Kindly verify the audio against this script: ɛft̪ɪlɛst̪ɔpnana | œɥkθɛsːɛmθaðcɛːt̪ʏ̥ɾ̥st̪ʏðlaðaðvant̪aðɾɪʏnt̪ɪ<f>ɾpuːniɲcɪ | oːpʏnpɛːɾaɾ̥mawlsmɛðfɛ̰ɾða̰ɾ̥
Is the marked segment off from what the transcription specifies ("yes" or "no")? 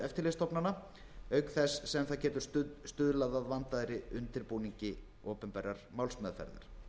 yes